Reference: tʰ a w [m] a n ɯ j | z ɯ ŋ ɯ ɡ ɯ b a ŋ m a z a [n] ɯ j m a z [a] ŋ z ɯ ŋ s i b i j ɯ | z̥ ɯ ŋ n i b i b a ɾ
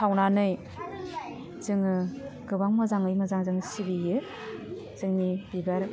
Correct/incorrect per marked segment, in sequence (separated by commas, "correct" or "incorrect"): incorrect, incorrect, correct